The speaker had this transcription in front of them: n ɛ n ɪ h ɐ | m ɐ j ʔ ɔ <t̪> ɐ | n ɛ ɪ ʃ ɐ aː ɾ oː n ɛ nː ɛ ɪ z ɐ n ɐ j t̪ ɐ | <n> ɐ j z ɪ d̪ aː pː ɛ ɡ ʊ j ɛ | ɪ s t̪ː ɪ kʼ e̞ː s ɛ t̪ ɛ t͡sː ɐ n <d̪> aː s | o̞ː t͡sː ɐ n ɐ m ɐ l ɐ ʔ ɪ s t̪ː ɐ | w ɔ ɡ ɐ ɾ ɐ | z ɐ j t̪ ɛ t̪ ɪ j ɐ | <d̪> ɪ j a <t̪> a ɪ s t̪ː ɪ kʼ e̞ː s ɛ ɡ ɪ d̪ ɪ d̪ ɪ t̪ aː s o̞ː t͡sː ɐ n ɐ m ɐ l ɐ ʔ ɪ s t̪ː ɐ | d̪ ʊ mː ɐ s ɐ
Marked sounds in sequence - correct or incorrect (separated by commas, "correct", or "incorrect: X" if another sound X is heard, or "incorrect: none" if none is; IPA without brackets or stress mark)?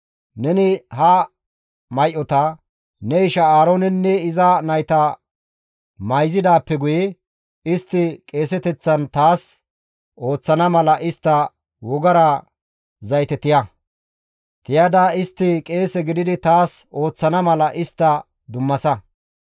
correct, incorrect: m, incorrect: t̪, incorrect: t̪, incorrect: d̪